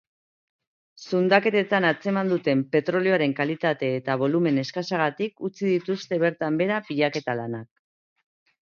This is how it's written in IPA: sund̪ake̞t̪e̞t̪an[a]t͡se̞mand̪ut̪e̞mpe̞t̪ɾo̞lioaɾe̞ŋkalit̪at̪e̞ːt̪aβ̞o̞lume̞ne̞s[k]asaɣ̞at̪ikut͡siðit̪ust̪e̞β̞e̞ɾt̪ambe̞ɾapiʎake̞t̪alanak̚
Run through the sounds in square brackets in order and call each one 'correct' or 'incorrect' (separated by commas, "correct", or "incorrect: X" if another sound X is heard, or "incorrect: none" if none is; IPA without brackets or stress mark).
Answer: correct, correct